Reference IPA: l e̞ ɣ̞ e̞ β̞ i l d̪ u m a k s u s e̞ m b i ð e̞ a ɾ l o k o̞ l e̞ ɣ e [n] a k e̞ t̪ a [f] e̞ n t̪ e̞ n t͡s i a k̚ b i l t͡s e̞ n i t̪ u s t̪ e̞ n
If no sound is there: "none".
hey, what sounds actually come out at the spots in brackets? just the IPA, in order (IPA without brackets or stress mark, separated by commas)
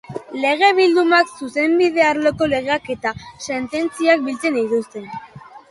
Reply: none, s